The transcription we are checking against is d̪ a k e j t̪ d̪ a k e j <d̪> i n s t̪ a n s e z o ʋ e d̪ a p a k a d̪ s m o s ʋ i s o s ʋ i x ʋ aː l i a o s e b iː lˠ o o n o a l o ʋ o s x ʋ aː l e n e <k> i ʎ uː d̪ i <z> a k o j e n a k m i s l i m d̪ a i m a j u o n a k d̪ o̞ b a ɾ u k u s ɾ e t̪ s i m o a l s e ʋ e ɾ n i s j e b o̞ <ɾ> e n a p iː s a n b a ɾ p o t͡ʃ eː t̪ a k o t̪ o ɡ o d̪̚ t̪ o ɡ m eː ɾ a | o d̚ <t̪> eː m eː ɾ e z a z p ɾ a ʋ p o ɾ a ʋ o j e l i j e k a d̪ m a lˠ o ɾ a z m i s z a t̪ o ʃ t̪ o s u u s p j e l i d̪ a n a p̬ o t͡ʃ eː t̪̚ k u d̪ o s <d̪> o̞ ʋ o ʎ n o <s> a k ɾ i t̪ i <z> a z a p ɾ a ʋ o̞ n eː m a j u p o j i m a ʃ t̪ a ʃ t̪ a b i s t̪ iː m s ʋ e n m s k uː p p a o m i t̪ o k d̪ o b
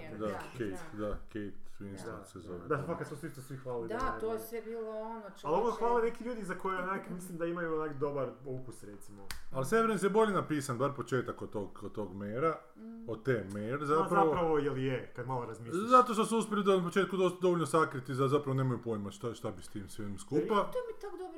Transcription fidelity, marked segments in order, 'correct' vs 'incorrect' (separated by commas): incorrect, correct, correct, incorrect, correct, correct, correct, correct